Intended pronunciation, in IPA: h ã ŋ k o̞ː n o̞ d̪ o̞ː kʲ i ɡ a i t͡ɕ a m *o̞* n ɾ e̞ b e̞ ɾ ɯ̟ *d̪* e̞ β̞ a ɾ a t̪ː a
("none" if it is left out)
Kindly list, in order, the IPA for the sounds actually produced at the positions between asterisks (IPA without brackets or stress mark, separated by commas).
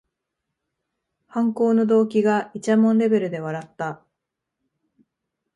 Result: õ̞, d̪